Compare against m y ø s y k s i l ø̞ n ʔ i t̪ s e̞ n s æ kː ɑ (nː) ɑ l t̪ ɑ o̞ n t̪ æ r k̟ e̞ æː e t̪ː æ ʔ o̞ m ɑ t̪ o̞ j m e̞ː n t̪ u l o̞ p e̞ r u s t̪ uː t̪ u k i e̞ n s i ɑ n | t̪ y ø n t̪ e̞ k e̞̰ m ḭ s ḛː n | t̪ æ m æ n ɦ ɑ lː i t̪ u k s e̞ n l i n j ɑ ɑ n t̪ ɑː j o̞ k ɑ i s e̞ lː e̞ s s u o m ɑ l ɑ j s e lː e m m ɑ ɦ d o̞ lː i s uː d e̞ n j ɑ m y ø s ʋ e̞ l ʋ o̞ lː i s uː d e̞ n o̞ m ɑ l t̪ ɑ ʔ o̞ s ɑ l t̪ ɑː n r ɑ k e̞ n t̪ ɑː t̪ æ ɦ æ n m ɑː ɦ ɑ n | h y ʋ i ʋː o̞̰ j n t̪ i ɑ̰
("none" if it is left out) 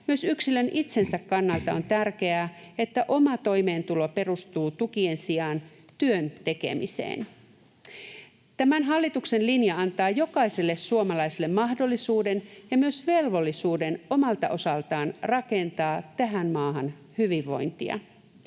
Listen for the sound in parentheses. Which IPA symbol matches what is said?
nː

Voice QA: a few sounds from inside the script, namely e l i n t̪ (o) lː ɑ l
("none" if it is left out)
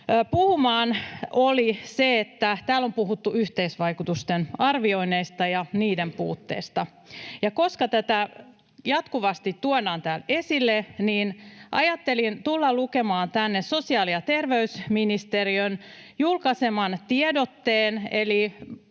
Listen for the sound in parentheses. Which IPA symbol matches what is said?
u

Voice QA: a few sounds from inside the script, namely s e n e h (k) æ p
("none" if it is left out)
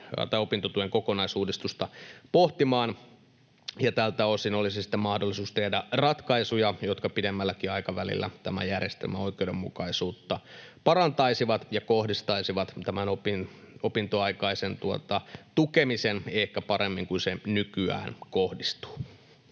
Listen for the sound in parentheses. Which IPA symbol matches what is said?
k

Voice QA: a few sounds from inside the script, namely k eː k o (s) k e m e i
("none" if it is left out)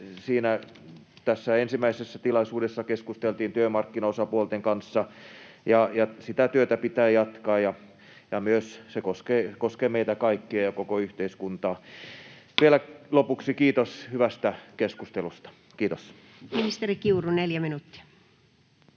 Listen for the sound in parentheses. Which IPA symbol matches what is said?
s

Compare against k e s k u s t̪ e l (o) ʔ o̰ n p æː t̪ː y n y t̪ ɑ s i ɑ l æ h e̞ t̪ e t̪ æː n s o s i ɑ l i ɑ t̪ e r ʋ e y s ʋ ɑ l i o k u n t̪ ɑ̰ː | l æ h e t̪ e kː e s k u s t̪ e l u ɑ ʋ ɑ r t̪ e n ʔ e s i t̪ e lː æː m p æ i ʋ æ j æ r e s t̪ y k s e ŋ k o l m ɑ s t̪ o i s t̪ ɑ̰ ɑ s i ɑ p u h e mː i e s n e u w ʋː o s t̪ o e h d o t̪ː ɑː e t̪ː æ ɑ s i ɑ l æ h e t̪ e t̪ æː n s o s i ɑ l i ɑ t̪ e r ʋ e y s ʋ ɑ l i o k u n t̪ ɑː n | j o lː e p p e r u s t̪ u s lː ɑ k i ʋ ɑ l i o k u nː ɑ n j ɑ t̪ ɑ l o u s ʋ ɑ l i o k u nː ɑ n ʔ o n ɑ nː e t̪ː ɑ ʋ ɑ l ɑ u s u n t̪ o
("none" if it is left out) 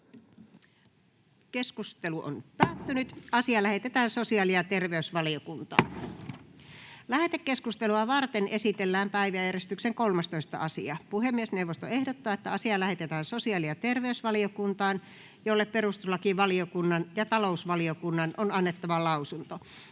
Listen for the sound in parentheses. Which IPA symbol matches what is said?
u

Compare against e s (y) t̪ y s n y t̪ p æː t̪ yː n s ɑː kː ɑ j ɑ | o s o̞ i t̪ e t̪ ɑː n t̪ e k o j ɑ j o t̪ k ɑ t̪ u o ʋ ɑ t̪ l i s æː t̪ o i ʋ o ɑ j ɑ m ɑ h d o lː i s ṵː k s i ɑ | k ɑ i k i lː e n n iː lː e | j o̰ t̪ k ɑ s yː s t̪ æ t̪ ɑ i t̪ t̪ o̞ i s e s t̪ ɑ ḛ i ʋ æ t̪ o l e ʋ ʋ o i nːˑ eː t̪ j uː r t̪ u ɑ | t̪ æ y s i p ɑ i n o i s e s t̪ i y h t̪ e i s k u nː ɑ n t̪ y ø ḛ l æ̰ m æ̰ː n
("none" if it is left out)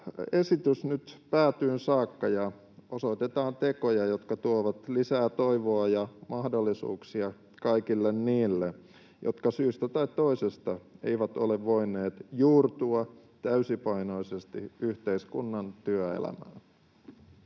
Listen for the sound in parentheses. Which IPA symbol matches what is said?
i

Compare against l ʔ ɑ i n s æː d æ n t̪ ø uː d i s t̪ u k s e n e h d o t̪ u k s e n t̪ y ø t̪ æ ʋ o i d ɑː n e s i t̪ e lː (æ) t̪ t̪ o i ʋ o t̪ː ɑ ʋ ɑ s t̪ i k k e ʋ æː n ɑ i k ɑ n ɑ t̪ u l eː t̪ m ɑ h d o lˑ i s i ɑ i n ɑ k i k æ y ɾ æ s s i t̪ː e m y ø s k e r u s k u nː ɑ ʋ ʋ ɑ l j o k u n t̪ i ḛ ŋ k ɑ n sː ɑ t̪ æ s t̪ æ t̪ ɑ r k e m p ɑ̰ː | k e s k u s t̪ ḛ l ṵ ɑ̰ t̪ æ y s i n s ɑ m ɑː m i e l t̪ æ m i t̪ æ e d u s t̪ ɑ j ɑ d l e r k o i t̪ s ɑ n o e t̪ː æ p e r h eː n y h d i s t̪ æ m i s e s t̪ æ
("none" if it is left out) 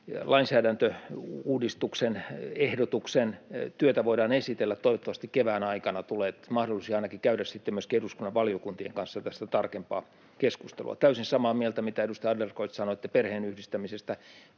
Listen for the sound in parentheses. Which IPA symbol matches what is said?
æ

